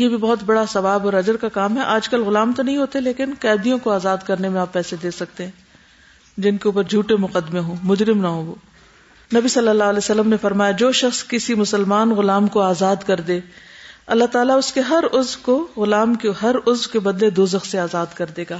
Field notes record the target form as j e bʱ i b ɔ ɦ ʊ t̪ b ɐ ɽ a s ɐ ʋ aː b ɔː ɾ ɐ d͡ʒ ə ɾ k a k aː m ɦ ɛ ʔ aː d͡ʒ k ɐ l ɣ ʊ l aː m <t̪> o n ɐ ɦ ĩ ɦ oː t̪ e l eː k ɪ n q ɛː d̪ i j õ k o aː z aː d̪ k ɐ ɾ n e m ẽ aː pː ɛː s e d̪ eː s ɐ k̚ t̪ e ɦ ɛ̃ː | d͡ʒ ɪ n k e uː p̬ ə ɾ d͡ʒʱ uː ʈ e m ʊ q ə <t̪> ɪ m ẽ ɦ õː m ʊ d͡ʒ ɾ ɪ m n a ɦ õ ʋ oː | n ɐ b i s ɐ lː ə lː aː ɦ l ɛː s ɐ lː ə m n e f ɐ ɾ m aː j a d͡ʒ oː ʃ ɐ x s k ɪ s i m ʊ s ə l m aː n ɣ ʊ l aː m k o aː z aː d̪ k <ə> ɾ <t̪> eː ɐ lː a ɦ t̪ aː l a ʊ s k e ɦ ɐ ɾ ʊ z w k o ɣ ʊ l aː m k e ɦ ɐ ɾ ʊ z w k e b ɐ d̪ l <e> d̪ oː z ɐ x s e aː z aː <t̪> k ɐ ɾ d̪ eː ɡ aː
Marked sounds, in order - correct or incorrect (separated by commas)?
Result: correct, incorrect, incorrect, incorrect, correct, incorrect